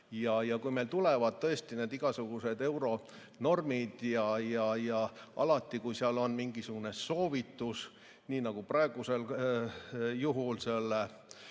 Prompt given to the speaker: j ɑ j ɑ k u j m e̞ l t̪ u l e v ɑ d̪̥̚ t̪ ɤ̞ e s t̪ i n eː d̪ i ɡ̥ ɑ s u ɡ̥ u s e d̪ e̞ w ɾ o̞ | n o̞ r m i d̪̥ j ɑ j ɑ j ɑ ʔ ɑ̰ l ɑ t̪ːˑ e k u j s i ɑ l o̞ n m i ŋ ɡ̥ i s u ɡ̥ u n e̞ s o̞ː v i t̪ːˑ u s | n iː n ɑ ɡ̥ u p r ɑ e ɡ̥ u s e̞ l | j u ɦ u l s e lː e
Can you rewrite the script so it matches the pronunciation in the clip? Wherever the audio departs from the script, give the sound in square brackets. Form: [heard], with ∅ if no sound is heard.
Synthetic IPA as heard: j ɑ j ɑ k u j m e̞ l t̪ u l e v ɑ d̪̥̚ t̪ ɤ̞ e s t̪ i n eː d̪ i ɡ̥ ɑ s u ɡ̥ u s e d̪ e̞ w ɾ o̞ | n o̞ r m i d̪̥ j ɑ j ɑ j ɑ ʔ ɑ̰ l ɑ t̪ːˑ [i] k u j s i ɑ l o̞ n m i ŋ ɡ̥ i s u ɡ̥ u n e̞ s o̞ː v i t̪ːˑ u s | n iː n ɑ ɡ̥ u p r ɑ e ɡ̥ u s e̞ l | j u ɦ u l s e lː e